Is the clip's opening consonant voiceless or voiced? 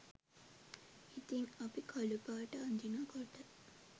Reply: voiceless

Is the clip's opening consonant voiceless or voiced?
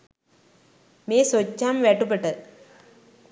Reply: voiced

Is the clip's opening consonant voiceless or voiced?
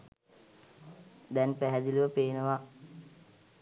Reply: voiced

